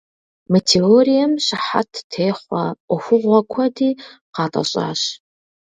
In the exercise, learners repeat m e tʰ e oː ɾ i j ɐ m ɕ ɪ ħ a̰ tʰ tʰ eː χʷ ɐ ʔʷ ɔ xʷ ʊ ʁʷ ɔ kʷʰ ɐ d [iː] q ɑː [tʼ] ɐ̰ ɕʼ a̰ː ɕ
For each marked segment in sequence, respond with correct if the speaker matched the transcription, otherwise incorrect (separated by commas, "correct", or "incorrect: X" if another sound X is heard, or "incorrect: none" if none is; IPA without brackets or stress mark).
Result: correct, correct